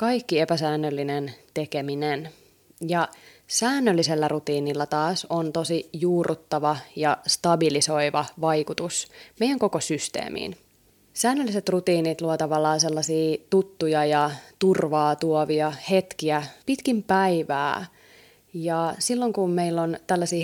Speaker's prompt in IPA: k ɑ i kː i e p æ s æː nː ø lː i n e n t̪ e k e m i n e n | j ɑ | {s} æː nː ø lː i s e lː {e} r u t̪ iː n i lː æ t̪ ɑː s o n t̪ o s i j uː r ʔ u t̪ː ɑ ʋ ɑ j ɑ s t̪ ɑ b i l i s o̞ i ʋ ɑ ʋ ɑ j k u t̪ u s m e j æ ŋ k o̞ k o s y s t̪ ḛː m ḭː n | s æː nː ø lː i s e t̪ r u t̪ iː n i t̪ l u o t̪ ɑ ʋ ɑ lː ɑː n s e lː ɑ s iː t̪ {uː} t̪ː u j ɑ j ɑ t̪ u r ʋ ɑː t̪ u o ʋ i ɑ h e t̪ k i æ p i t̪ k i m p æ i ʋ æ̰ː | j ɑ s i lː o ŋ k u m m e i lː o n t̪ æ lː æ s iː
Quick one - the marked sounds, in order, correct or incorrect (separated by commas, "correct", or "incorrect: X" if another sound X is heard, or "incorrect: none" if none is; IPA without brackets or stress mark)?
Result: correct, incorrect: æ, incorrect: u